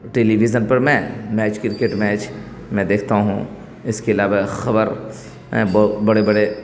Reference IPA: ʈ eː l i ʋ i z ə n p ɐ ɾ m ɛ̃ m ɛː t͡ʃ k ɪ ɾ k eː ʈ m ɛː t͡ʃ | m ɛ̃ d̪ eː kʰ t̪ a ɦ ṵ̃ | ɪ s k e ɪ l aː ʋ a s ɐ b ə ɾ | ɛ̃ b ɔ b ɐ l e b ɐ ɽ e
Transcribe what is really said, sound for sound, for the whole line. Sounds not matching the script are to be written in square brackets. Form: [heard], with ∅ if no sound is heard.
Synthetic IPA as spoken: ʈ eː l i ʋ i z ə n p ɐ ɾ m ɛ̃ m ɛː t͡ʃ k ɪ ɾ k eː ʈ m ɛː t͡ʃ | m ɛ̃ d̪ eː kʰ t̪ a ɦ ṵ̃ | ɪ s k e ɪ l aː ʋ a [x] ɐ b ə ɾ | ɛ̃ b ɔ b ɐ [ɽ] e b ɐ ɽ e